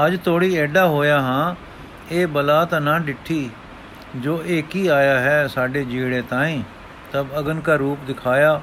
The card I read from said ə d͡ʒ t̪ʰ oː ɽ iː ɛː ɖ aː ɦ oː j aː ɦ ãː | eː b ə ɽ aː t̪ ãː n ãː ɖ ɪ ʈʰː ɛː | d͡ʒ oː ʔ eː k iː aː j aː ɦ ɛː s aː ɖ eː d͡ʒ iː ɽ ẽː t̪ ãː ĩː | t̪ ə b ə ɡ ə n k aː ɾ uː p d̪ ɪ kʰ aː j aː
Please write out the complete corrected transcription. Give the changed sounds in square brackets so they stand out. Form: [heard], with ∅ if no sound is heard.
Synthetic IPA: ə d͡ʒ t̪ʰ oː ɽ iː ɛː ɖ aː ɦ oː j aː ɦ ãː | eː b ə [l] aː t̪ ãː n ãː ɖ ɪ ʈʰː [iː] | d͡ʒ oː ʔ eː k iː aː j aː ɦ ɛː s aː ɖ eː d͡ʒ iː ɽ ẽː t̪ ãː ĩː | t̪ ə b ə ɡ ə n k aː ɾ uː p d̪ ɪ kʰ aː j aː